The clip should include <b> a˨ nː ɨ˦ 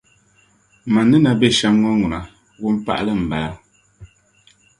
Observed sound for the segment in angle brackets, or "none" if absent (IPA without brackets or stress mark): m